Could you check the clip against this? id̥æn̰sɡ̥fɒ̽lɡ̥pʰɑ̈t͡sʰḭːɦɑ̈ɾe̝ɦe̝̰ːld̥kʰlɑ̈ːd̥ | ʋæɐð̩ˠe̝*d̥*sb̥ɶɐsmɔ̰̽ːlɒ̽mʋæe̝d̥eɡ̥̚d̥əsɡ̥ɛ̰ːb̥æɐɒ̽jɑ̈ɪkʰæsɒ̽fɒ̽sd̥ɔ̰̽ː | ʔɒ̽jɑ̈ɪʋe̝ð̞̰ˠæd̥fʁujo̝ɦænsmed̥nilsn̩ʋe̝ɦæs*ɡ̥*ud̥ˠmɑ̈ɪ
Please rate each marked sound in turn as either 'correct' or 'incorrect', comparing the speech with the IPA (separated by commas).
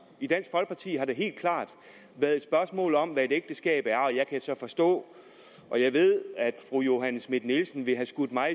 correct, correct